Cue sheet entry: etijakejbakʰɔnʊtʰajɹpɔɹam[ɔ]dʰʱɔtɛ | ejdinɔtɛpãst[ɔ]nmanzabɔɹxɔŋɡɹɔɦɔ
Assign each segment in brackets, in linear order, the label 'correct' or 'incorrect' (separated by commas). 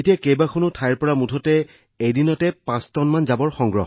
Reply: incorrect, correct